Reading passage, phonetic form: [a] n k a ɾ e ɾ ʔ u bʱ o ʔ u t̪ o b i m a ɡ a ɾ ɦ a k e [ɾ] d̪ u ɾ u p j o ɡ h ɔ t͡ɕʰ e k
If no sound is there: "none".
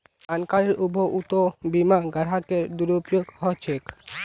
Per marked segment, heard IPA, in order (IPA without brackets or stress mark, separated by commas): a, ɾ